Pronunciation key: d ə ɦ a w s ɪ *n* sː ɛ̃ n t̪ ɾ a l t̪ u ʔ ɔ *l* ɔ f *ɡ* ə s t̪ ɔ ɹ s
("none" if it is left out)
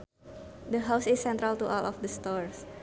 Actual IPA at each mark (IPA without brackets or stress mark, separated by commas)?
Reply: none, l, d